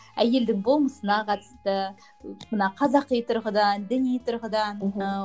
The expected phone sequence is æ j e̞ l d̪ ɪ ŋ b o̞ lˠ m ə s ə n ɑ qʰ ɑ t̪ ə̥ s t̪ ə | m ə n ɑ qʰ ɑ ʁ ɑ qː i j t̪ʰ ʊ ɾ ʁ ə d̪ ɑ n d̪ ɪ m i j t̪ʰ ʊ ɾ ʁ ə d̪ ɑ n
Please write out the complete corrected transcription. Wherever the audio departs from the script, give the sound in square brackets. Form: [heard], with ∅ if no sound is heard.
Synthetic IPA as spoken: æ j e̞ l d̪ ɪ ŋ b o̞ lˠ m ə s ə n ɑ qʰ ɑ t̪ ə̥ s t̪ ə | m ə n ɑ qʰ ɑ [z] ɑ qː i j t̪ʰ ʊ ɾ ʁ ə d̪ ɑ n d̪ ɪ [n] i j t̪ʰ ʊ ɾ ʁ ə d̪ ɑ n